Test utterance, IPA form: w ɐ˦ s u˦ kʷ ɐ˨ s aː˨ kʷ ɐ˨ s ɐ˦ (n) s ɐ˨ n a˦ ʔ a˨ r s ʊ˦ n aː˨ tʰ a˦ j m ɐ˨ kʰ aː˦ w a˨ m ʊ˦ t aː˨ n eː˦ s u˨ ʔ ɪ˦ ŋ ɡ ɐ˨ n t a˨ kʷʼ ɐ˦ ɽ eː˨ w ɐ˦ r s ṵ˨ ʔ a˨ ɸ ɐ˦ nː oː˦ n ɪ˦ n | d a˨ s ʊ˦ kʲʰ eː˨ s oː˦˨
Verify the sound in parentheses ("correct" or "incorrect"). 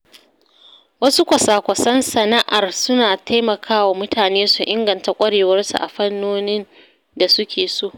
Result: correct